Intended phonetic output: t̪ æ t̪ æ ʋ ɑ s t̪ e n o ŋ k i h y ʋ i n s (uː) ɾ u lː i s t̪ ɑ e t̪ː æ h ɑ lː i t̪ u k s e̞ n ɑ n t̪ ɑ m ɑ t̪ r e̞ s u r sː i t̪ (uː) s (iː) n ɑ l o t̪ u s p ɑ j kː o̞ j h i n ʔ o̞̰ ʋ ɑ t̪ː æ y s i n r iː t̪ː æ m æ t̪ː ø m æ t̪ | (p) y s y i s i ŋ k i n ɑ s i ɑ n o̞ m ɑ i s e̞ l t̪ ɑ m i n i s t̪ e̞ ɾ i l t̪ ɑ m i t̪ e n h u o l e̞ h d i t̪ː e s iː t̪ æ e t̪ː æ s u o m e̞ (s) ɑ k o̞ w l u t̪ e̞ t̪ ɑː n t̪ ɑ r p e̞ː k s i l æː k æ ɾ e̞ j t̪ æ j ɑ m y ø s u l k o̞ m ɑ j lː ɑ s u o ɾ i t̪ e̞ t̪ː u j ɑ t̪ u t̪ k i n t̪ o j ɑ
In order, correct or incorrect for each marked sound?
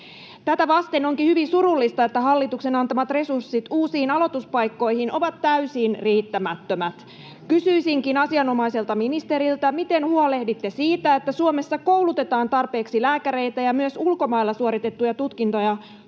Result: incorrect: u, correct, correct, incorrect: k, incorrect: sː

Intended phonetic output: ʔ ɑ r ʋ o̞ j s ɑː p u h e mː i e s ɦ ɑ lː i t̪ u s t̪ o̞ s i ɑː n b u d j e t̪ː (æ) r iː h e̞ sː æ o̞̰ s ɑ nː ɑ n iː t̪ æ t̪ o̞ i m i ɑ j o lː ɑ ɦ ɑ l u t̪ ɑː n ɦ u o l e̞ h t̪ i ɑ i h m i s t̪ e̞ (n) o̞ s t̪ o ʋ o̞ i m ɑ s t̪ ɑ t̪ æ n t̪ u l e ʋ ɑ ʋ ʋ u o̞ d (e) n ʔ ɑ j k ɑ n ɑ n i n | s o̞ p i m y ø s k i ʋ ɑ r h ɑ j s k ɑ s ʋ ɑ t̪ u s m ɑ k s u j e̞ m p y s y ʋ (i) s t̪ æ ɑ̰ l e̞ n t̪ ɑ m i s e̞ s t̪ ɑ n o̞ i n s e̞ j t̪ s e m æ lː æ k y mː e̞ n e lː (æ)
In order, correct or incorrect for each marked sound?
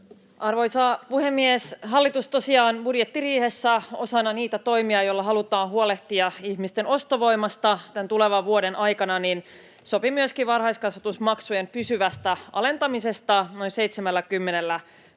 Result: incorrect: i, correct, correct, incorrect: æ, correct

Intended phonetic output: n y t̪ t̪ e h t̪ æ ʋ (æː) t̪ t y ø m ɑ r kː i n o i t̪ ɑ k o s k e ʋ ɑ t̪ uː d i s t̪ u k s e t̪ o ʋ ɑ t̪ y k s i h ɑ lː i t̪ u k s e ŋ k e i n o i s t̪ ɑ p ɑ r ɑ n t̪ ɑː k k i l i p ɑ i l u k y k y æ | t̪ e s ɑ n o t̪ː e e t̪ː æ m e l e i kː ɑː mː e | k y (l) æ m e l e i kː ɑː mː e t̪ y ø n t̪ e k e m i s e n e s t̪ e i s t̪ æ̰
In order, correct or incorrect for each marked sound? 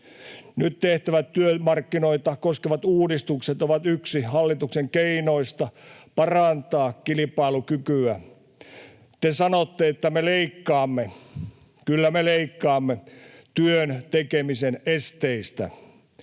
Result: incorrect: æ, incorrect: lː

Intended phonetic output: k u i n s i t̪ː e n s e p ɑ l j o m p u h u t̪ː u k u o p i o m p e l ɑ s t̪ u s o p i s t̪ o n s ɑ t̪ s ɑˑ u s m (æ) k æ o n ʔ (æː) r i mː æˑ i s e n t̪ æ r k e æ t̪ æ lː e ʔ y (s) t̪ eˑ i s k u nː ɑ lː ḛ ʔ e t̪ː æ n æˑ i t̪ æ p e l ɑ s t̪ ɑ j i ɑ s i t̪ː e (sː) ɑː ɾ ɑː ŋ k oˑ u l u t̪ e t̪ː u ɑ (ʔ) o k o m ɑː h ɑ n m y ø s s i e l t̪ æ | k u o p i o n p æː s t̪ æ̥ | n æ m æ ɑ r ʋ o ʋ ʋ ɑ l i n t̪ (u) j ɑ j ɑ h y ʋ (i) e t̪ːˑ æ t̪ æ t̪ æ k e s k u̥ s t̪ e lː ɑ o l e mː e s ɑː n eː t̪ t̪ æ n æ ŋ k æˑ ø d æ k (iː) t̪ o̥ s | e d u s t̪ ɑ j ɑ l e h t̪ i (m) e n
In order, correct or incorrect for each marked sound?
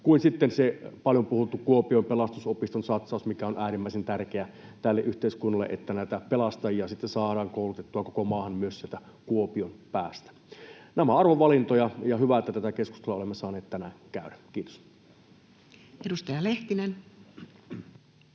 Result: incorrect: i, correct, incorrect: h, incorrect: s, incorrect: k, incorrect: o, incorrect: æ, correct, incorrect: n

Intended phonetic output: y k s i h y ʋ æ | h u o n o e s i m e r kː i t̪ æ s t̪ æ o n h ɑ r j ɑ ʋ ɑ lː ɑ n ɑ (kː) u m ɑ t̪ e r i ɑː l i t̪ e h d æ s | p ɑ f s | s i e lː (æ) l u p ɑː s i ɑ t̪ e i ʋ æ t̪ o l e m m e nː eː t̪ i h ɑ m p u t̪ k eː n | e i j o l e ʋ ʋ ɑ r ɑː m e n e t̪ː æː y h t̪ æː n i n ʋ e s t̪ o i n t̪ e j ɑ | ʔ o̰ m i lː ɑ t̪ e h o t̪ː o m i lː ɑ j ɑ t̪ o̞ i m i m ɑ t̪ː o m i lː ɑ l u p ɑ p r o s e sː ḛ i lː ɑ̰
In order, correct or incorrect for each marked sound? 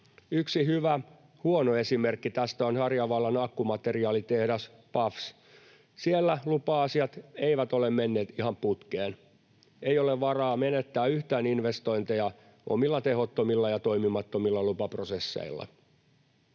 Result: correct, correct

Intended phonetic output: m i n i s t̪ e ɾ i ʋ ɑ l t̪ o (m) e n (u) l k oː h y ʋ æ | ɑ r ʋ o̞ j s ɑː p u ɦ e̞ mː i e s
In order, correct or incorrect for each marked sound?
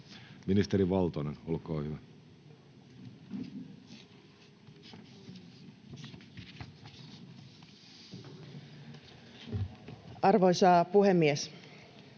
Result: incorrect: n, incorrect: o

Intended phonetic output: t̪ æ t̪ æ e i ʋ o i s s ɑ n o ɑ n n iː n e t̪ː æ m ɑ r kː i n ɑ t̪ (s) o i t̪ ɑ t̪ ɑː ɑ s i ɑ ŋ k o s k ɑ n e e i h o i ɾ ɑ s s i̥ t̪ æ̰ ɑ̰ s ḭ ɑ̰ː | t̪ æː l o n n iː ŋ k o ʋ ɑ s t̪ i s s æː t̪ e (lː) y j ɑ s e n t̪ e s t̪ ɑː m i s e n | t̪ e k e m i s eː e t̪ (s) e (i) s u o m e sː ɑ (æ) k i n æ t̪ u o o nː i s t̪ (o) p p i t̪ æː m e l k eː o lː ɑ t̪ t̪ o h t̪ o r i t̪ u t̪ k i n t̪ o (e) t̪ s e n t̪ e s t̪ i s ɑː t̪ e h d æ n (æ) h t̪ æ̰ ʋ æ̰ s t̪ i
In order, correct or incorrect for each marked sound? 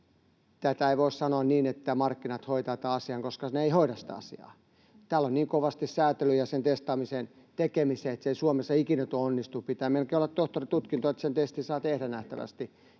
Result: incorrect: h, incorrect: l, correct, correct, incorrect: i, incorrect: u, correct, correct

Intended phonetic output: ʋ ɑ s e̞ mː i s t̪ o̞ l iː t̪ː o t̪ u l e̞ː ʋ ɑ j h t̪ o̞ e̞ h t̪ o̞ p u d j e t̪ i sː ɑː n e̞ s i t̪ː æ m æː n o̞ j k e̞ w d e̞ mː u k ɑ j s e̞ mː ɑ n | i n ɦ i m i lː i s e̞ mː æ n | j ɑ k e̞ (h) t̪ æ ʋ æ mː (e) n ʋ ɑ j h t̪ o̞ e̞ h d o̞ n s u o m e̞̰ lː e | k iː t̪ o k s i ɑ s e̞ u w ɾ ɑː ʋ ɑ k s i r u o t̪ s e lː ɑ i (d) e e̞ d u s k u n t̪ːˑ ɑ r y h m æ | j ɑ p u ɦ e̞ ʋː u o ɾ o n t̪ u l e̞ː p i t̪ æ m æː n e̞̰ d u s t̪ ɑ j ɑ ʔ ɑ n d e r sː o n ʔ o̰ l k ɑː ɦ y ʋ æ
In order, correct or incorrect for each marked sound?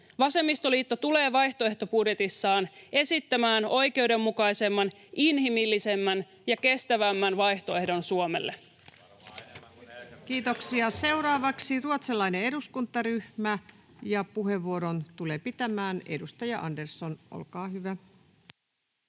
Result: incorrect: s, incorrect: æ, incorrect: n

